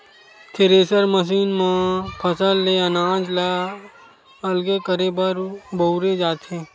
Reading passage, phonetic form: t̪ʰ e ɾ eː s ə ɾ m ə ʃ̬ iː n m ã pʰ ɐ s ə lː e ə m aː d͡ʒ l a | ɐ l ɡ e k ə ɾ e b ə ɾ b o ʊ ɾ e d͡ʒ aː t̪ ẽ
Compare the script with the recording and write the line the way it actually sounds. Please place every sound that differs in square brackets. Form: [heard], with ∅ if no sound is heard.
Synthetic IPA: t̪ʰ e ɾ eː s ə ɾ m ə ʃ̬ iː n m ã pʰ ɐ s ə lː e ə [n] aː d͡ʒ l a | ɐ l ɡ e k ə ɾ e b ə ɾ b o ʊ ɾ e d͡ʒ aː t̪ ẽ